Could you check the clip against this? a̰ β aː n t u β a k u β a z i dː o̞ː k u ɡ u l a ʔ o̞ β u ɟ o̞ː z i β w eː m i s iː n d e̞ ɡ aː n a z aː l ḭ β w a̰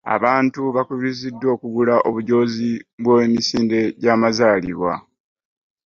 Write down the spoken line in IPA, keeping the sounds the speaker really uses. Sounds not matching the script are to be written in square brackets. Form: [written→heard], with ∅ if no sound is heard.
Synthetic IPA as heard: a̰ β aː n t u β a k u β [a→i] z i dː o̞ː k u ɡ u l a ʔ o̞ β u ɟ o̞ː z i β w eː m i s iː n d e̞ [ɡ→ɟ] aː [n→m] a z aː l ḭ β w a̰